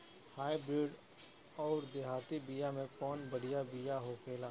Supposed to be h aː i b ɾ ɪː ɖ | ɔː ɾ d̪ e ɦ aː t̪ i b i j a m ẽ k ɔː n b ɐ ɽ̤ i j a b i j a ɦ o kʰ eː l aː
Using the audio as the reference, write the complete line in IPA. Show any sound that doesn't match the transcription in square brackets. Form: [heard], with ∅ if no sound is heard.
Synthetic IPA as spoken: h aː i b ɾ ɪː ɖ | ɔː ɾ d̪ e ɦ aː t̪ i b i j a m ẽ k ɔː n b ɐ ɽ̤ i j a b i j a ɦ o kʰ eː l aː